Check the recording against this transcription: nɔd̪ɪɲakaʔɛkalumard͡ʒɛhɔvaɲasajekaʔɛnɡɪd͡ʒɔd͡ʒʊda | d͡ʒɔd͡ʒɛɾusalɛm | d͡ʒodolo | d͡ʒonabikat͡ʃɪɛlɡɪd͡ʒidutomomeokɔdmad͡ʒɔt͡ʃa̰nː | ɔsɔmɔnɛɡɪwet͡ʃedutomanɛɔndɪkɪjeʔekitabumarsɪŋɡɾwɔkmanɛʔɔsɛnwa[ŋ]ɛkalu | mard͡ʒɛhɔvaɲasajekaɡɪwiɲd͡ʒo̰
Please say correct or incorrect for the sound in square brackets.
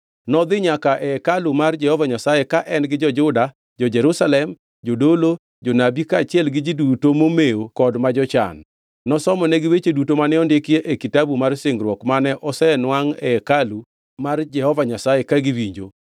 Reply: correct